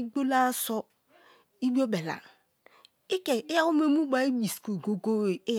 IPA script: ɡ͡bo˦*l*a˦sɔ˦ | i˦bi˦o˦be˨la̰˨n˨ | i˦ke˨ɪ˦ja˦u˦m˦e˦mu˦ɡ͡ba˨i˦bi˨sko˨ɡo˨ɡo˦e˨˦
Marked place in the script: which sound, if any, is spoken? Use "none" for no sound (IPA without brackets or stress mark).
l